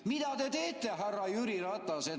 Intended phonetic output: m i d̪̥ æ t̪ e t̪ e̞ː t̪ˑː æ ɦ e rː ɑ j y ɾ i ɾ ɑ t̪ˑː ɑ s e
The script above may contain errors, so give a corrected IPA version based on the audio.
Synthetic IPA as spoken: m i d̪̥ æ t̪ e t̪ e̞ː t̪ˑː e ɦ æ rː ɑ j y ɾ i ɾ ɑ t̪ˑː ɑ s e